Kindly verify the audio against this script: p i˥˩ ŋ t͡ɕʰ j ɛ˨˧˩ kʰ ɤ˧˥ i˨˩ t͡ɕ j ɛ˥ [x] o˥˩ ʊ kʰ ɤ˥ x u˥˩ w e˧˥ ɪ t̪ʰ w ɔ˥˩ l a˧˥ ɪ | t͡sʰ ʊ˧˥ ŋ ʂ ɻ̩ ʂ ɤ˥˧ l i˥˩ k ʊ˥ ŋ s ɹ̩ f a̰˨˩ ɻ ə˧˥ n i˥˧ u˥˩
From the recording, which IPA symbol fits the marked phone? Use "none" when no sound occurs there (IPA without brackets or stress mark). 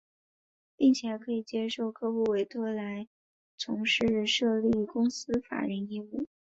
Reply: ʂ